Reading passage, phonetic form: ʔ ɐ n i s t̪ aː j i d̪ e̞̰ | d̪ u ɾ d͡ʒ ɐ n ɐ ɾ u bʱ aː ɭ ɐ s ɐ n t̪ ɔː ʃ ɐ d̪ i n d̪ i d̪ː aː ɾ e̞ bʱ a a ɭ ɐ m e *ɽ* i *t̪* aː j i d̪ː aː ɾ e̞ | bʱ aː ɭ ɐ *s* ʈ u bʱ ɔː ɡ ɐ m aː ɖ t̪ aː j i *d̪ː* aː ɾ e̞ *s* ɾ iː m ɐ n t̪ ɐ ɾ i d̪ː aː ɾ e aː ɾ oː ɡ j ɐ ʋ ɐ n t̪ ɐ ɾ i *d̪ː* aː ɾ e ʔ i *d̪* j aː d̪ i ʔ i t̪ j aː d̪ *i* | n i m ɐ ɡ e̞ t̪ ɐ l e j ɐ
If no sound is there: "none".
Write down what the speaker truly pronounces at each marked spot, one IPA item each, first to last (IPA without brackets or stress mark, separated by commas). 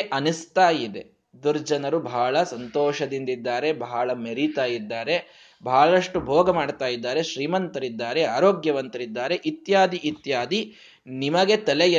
ɾ, t̪, ʂ, d̪ː, ʃ, d̪ː, t̪, i